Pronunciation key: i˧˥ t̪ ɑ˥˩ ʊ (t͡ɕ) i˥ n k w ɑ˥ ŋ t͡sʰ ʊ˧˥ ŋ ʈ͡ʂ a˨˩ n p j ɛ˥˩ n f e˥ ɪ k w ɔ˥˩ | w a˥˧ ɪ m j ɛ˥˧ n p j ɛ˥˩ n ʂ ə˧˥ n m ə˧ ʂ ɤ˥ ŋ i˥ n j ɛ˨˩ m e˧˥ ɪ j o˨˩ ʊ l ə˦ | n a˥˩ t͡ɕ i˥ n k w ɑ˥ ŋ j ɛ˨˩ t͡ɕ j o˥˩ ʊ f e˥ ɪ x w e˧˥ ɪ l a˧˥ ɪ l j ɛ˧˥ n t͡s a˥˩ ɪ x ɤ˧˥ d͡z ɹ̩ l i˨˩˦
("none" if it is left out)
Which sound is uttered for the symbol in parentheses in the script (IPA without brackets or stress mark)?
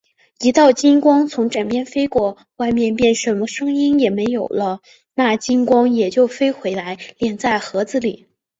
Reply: t͡ɕ